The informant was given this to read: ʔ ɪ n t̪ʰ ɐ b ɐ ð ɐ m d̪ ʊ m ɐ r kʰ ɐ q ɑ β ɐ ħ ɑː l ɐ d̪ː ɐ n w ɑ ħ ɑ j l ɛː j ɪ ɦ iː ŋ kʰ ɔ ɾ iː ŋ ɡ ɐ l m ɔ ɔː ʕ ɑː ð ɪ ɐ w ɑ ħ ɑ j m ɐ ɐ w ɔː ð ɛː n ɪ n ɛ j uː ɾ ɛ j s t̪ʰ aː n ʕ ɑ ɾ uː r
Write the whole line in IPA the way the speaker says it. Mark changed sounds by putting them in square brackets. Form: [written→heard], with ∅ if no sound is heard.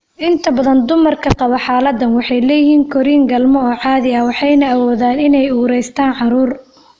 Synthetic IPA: ʔ ɪ n t̪ʰ ɐ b ɐ ð ɐ [m→n] d̪ ʊ m ɐ r kʰ ɐ q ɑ β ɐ ħ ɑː l ɐ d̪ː ɐ n w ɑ ħ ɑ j l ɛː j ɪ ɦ iː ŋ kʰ ɔ ɾ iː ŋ ɡ ɐ l m ɔ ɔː ʕ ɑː ð ɪ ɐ w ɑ ħ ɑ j [m→n] ɐ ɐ w ɔː ð [ɛː→aː] n ɪ n ɛ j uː ɾ ɛ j s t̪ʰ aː n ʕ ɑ ɾ uː r